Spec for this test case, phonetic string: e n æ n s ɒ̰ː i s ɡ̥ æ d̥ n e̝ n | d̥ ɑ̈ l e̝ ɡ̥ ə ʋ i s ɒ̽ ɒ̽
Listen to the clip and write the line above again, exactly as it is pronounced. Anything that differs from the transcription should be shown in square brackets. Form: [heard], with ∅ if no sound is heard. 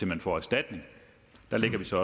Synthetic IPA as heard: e [m] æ n [f] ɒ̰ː [æ] s [d̥] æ d̥ n e̝ [ŋ] | d̥ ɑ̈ l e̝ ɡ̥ [ɐ] ʋ i s ɒ̽ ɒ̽